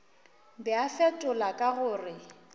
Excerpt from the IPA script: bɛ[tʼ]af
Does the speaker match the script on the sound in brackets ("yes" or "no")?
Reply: no